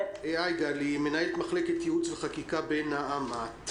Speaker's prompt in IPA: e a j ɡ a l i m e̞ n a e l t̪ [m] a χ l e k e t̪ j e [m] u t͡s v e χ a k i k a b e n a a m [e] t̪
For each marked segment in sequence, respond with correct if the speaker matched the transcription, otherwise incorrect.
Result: correct, incorrect: none, incorrect: a

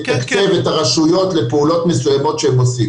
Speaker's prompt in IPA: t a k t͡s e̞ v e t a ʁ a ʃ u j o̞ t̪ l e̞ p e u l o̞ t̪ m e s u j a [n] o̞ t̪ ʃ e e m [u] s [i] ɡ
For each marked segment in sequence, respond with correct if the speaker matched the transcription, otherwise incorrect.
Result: incorrect: m, incorrect: o, correct

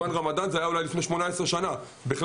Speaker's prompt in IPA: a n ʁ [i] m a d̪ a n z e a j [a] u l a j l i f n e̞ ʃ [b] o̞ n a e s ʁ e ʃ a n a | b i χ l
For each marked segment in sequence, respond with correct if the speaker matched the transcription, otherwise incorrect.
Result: incorrect: a, correct, incorrect: m

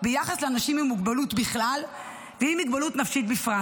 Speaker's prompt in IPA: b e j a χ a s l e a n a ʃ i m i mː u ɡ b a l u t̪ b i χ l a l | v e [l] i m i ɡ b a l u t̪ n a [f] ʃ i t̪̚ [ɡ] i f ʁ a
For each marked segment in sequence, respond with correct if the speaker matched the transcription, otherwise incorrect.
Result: incorrect: none, correct, incorrect: b

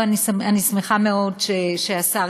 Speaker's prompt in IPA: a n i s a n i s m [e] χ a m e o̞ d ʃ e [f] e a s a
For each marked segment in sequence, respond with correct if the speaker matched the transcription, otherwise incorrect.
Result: correct, incorrect: ʃ

